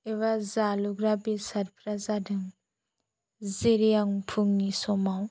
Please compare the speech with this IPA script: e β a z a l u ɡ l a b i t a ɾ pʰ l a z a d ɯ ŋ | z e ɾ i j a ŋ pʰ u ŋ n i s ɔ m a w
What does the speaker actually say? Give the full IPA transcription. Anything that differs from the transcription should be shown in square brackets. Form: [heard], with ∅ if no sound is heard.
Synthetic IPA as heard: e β a z a l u ɡ [ɾ] a b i [s] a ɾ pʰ [ɾ] a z a d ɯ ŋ | z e ɾ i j a ŋ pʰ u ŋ n i s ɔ m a w